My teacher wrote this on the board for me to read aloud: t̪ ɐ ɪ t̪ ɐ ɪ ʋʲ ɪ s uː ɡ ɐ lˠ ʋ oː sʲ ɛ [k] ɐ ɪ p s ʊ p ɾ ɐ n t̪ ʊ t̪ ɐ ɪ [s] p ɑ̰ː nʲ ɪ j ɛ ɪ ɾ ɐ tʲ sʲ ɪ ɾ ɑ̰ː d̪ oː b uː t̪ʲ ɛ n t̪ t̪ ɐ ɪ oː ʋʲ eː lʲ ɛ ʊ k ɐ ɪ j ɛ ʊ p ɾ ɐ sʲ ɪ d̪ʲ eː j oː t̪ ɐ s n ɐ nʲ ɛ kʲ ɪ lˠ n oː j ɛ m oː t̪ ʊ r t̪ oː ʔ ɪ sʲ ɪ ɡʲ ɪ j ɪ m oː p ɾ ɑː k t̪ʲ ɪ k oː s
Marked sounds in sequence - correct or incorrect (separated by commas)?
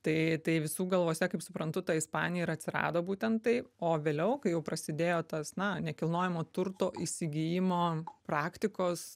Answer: correct, correct